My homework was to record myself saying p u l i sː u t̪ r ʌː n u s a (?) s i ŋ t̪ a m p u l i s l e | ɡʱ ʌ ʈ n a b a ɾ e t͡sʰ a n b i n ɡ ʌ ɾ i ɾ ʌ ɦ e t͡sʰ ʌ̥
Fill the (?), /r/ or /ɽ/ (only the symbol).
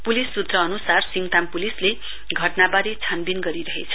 r